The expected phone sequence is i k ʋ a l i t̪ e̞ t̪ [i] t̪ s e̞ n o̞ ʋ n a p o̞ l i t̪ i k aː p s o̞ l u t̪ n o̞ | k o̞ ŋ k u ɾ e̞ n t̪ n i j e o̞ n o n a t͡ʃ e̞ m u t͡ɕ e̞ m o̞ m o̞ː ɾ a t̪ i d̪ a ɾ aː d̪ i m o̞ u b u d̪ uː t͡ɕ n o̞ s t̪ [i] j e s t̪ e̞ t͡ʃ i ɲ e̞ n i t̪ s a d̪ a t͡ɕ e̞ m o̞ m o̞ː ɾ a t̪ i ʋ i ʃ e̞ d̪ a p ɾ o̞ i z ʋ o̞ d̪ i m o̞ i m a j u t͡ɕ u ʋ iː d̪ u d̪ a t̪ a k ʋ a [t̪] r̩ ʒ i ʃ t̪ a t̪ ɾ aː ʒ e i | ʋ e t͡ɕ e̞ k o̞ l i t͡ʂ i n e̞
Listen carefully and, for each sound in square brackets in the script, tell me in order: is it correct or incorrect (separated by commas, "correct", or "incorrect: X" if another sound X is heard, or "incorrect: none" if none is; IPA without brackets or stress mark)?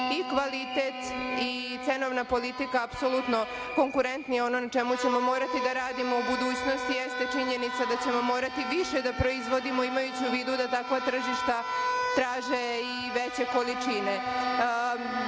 correct, correct, correct